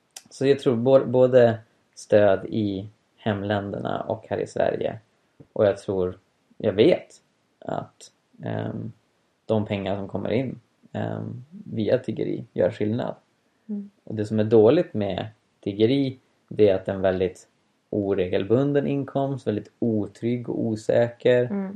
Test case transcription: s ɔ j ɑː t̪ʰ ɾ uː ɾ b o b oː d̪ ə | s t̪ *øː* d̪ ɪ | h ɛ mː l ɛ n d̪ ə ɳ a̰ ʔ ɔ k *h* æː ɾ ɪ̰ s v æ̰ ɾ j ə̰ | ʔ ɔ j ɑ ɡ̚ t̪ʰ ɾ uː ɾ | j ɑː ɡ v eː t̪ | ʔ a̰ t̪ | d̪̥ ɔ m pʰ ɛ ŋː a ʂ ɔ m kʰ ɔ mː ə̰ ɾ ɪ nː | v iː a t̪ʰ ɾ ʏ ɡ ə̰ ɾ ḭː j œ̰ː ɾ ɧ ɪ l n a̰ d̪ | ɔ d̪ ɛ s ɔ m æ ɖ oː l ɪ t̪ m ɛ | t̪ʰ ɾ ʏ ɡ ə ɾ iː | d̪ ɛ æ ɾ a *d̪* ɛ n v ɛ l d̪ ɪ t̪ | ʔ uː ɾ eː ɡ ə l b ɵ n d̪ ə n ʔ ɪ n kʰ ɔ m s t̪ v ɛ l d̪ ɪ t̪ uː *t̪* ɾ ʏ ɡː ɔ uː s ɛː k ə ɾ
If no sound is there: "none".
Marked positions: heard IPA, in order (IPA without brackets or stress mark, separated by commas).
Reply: øː, h, t̪, t̪ʰ